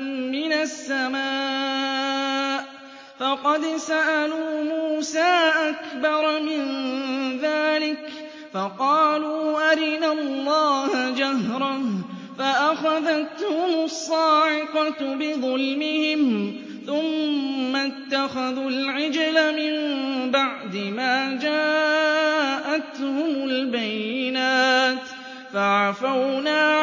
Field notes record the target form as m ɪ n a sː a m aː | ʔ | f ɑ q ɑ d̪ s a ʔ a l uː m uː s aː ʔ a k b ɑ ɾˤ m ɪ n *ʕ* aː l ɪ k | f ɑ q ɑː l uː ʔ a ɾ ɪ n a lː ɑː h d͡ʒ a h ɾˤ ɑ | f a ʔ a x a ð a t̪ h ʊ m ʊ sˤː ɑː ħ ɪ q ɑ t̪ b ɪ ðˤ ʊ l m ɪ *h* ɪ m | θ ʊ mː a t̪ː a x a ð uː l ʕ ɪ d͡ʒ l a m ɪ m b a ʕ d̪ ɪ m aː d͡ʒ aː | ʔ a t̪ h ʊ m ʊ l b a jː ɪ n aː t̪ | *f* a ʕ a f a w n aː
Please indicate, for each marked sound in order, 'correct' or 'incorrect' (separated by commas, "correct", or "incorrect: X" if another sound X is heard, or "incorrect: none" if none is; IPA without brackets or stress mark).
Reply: incorrect: ð, correct, correct